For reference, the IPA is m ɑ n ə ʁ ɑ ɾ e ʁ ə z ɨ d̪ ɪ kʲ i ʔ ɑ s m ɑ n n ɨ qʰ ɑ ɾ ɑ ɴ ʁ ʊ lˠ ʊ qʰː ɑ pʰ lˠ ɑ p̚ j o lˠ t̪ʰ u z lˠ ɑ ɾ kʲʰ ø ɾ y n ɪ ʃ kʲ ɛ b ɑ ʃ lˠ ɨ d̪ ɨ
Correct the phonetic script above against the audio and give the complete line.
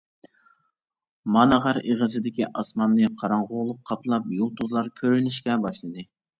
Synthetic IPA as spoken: m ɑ n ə ʁ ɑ ɾ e ʁ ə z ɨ d̪ ɪ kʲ i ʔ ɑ s m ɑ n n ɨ qʰ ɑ ɾ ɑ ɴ ʁ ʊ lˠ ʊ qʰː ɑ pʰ lˠ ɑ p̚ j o lˠ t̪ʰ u z lˠ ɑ ɾ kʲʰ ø ɾ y n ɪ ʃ kʲ ɛ b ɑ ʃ lˠ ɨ d̪ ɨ